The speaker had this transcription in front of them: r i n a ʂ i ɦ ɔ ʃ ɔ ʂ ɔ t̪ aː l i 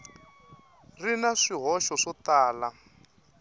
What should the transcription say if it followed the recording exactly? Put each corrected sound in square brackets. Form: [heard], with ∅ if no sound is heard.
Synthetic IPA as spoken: r i n a ʂ i ɦ ɔ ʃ ɔ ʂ ɔ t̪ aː l [a]